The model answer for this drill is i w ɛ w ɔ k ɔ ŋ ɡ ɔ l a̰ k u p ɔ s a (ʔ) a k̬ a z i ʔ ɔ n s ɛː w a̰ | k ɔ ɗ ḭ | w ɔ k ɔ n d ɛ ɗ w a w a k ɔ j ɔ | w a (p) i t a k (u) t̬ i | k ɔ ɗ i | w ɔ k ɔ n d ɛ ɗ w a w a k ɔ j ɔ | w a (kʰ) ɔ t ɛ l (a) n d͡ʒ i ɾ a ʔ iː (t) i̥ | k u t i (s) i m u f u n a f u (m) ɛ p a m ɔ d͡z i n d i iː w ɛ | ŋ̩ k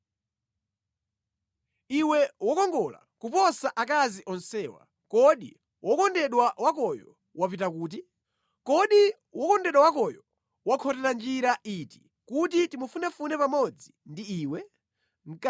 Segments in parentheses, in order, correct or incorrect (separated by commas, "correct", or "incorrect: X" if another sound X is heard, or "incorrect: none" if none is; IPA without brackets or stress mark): correct, correct, incorrect: uː, correct, correct, correct, incorrect: t, incorrect: n